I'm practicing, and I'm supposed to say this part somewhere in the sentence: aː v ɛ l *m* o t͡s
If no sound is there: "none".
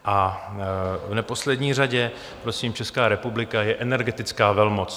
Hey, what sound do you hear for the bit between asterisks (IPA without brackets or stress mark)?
m